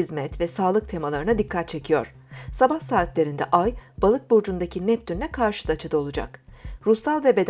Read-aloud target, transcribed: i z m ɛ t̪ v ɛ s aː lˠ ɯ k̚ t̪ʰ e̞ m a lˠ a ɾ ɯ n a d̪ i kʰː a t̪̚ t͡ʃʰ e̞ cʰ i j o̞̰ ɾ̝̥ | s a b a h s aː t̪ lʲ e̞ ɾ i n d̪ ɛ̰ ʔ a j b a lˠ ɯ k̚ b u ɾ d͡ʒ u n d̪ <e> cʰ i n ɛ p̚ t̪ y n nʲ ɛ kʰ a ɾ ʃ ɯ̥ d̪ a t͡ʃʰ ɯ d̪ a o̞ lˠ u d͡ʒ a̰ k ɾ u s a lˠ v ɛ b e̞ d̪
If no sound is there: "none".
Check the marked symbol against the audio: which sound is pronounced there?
a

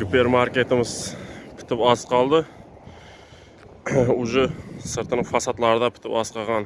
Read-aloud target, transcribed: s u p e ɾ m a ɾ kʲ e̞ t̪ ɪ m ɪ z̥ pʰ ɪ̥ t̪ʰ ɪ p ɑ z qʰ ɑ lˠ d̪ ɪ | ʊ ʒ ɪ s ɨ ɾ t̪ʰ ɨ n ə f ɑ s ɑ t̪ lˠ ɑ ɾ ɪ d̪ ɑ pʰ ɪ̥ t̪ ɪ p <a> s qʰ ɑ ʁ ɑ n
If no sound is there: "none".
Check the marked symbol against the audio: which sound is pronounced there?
ɑ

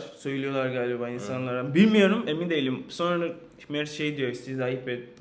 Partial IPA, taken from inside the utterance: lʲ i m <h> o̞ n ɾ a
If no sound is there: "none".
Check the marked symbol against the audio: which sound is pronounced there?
s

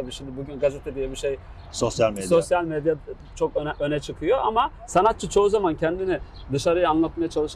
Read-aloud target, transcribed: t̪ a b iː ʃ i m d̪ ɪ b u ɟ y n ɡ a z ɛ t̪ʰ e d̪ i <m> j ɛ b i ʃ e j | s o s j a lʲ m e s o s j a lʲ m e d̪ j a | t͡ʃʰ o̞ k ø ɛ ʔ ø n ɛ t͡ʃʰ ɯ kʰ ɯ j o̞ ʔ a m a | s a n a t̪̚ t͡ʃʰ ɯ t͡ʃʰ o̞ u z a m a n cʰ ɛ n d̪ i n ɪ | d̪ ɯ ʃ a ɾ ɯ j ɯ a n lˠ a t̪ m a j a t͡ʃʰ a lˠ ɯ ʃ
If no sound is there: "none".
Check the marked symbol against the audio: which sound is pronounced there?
none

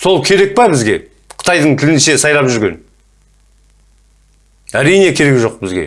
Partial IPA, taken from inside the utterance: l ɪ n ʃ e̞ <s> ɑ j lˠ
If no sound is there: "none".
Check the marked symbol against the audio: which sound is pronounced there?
s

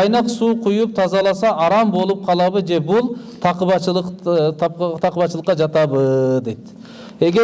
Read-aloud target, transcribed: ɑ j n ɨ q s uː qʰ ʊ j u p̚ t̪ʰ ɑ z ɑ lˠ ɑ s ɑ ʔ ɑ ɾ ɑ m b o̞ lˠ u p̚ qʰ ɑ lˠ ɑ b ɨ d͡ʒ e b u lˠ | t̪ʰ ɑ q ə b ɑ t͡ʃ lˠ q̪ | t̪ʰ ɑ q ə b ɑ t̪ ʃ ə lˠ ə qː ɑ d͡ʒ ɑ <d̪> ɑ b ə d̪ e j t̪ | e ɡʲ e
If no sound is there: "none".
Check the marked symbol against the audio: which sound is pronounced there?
t̪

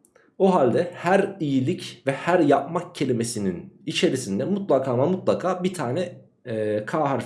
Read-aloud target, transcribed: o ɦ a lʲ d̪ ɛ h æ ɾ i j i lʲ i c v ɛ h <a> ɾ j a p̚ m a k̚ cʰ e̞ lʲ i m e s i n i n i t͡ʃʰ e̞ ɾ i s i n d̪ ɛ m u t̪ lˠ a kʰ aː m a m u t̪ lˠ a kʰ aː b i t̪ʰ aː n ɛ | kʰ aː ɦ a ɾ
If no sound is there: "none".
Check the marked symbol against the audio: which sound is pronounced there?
æ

